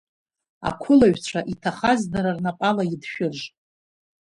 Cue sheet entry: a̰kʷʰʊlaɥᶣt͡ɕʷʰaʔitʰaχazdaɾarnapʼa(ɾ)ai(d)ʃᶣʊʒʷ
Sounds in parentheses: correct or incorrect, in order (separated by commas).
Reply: incorrect, correct